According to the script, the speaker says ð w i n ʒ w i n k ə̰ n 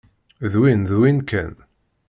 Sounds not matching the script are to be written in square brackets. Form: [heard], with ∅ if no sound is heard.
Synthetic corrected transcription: ð w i n [ð] w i n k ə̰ n